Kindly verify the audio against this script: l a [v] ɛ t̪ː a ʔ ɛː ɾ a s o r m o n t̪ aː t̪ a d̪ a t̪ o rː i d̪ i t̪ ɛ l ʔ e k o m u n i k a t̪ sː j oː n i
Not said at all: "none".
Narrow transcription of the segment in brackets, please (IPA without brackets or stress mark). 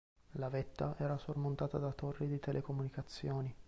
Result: v